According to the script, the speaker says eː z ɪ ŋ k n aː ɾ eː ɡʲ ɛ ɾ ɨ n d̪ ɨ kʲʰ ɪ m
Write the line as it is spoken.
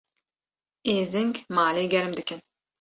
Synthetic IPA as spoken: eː z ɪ ŋ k m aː l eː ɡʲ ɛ ɾ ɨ m d̪ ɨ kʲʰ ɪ n